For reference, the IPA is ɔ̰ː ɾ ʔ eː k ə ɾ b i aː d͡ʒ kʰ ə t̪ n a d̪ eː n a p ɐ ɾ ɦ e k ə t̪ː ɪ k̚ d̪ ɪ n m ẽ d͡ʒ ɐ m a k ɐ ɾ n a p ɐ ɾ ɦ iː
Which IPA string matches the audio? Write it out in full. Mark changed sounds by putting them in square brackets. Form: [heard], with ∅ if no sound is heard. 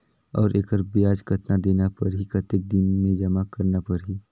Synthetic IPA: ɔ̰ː ɾ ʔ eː k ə ɾ b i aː d͡ʒ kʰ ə t̪ n a d̪ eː n a p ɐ ɾ ɦ [i] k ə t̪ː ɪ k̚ d̪ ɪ n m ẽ d͡ʒ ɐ m a k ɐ ɾ n a p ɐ ɾ ɦ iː